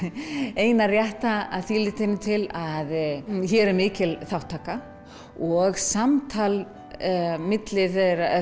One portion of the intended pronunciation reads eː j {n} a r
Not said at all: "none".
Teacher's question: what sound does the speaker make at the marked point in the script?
n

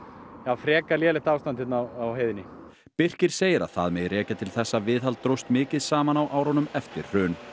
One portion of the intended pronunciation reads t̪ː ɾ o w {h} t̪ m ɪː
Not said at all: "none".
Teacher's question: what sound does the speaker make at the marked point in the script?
s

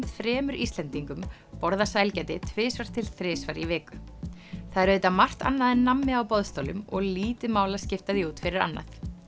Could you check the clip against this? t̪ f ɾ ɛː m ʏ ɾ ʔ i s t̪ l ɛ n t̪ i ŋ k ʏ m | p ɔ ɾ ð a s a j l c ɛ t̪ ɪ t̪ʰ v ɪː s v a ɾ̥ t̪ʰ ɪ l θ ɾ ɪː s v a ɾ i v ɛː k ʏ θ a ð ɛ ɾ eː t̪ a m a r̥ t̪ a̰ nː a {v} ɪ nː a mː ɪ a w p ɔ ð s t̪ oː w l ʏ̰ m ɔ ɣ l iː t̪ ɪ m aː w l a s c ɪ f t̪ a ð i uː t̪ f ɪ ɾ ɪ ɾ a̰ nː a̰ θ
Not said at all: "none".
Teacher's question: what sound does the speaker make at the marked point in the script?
ð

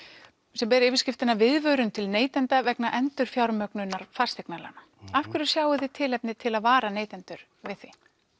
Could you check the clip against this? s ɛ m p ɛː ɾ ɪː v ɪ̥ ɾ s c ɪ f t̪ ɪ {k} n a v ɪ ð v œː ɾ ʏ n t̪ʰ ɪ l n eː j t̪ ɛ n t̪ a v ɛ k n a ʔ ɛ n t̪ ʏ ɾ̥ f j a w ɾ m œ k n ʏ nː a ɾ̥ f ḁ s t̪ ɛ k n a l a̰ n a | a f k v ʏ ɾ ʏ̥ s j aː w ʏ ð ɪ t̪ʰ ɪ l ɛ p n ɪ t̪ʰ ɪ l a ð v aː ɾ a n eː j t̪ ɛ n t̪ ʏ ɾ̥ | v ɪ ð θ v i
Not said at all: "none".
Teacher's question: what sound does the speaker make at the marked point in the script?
none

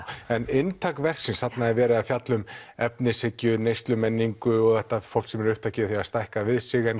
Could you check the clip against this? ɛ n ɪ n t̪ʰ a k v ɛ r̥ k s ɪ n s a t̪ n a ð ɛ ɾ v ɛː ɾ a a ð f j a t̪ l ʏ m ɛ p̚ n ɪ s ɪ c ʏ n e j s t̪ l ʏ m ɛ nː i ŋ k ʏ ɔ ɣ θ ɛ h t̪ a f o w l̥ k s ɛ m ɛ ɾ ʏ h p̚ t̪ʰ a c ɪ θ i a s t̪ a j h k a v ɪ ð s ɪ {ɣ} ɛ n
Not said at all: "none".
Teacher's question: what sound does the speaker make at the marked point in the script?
ɣ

